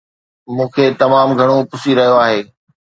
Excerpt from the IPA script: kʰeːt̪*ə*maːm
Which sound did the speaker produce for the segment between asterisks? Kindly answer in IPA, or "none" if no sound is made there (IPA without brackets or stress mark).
ɐ